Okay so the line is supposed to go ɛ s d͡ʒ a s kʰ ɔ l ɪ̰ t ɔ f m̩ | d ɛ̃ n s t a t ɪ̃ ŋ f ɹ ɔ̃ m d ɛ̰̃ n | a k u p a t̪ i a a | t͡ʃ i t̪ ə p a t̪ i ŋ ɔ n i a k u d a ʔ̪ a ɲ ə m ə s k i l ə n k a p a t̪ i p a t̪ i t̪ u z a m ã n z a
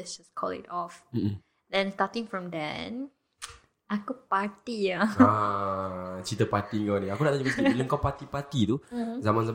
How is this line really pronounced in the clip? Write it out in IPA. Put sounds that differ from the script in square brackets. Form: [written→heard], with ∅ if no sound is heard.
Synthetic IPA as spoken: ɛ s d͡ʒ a s kʰ ɔ l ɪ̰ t ɔ f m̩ | d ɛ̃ n s t a t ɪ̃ ŋ f ɹ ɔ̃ m d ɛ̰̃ n | a k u p a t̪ i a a | t͡ʃ i t̪ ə p a t̪ i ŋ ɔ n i a k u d a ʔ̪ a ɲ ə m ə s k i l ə [n→ŋ] k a p a t̪ i p a t̪ i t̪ u z a m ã n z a